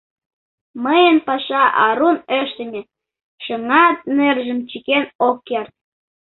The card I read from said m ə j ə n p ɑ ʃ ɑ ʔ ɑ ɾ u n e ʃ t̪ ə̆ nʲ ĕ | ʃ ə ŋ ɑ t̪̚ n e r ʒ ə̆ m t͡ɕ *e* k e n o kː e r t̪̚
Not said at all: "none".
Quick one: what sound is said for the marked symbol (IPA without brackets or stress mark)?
i